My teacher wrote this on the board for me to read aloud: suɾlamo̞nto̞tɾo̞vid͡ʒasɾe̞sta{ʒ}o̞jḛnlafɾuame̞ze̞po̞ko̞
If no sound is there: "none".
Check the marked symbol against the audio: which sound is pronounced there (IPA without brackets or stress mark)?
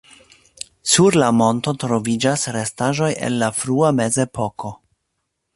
ʒ